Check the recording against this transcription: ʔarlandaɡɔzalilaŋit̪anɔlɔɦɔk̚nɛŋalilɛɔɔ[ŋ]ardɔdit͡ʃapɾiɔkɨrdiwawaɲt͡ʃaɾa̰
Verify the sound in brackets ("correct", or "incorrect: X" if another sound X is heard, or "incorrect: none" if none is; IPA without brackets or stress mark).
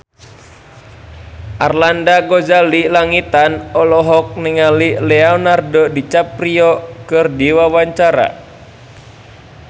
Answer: incorrect: n